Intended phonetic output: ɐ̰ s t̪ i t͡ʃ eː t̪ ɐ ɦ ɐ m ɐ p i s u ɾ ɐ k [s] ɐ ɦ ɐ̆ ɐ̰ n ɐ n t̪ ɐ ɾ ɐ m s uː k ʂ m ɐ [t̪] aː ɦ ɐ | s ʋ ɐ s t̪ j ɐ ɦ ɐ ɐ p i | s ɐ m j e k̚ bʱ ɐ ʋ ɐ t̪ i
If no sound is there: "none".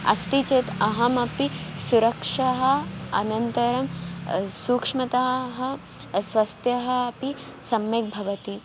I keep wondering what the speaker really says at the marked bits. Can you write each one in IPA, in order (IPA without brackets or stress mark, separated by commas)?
ʂ, t̪